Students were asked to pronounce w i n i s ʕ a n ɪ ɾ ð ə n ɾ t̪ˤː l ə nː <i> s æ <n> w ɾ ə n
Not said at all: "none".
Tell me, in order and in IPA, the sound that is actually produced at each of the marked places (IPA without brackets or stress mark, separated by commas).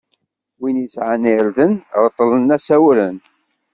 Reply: æ, none